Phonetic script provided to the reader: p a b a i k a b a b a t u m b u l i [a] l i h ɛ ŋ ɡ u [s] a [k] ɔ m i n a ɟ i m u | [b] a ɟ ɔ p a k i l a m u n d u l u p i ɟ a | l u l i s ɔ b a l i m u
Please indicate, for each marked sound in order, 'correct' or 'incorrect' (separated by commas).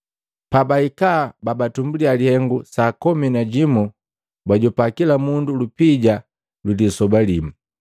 correct, correct, correct, correct